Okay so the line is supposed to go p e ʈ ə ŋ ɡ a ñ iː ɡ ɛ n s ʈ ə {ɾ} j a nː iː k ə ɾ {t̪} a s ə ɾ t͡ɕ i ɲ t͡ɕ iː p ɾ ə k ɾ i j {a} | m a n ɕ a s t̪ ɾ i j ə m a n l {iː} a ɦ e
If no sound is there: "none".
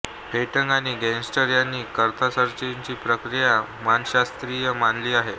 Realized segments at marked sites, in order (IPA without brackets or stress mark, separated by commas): ɾ, t̪ʰ, a, iː